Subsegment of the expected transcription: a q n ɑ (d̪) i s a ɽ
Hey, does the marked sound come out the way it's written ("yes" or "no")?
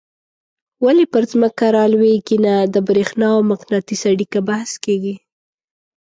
no